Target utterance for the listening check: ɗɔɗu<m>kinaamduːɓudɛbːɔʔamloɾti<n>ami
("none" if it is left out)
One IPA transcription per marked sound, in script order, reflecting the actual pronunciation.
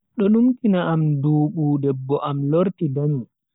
m, d

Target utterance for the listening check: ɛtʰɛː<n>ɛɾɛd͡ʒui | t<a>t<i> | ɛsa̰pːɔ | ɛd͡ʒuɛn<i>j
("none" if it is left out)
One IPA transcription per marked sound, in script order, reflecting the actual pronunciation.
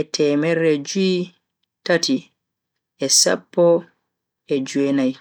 m, a, i, a

